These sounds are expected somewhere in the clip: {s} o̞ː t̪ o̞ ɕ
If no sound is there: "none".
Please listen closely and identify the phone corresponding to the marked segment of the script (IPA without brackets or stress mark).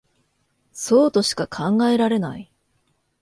s